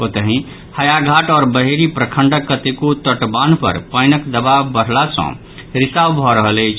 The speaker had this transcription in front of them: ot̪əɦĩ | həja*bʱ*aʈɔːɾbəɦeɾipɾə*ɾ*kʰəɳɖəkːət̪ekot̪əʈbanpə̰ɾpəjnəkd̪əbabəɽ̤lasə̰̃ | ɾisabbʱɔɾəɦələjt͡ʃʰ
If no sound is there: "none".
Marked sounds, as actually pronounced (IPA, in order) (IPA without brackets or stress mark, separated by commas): ɡʱ, none